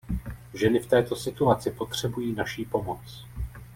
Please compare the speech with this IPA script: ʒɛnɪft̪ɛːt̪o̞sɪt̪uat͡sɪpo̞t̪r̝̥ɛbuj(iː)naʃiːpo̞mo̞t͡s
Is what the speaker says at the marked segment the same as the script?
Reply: yes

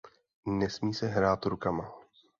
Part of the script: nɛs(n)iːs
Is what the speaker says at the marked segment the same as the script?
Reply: no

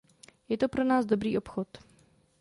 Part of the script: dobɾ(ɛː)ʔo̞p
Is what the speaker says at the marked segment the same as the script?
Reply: no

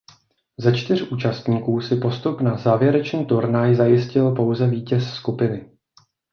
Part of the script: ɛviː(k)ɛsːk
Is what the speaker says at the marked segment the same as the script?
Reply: no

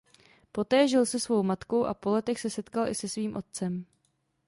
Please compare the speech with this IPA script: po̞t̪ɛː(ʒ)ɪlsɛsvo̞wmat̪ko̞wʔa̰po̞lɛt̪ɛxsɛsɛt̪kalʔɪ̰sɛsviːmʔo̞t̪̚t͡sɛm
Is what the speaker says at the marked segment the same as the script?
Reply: yes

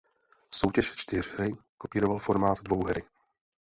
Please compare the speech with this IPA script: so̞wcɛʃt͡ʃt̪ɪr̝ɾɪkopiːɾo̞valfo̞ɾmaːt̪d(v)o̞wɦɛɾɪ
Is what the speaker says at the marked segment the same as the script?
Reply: yes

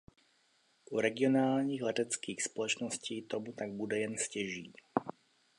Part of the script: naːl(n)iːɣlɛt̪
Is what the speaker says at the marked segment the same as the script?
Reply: no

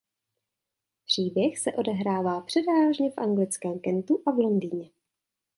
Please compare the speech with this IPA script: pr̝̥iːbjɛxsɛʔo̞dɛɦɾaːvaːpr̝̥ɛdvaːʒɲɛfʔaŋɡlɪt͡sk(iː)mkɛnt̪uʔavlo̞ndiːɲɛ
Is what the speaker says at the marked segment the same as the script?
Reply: no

